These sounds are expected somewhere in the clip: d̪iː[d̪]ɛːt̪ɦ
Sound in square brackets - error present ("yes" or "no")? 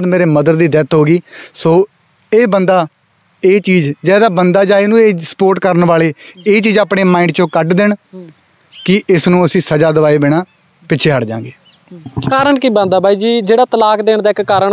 no